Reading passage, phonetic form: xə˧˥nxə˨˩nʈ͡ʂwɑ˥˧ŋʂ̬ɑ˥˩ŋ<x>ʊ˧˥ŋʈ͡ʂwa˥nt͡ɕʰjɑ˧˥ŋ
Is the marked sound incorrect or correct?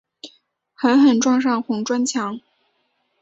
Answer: correct